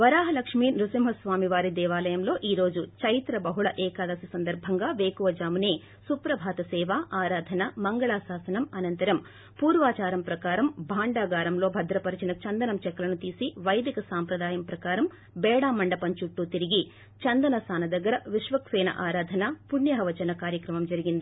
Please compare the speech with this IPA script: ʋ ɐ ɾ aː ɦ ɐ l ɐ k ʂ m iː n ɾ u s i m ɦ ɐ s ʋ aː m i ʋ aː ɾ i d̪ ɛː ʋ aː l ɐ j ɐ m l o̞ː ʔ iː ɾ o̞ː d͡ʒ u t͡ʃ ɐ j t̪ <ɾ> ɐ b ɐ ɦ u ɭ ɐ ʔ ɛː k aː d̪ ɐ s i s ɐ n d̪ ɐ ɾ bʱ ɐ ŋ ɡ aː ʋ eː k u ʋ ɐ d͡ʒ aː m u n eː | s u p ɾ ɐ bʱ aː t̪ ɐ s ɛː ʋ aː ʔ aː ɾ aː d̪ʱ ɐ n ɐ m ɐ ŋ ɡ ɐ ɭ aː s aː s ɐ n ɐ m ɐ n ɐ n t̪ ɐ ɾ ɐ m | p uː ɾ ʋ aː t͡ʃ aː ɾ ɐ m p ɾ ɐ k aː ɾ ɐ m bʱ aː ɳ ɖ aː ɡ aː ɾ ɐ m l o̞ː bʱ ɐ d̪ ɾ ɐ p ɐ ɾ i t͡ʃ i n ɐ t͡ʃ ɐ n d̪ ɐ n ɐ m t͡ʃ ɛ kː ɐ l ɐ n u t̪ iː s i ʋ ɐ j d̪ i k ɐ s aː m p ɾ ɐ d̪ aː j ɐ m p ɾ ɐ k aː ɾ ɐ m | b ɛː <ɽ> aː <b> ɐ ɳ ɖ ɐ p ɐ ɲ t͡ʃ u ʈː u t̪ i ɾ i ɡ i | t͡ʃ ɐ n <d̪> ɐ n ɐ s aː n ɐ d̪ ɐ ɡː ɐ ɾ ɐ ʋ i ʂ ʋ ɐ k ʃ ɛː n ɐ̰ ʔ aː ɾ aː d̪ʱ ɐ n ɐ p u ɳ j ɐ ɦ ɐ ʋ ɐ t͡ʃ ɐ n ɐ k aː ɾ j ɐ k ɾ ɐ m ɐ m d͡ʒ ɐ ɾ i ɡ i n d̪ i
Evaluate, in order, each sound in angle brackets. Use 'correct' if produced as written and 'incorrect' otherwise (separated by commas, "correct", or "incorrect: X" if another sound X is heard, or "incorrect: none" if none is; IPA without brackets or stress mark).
correct, correct, incorrect: m, correct